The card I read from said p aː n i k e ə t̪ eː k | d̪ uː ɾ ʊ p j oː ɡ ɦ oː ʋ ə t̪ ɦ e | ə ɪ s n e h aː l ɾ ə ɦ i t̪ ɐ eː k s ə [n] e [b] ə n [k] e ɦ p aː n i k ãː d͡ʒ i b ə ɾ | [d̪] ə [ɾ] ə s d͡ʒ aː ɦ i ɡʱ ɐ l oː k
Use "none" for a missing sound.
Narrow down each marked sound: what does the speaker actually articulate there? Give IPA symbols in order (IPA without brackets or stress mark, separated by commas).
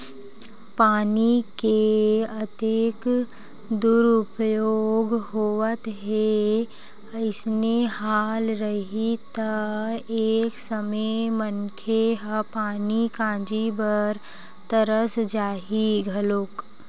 m, m, kʰ, t̪, ɾ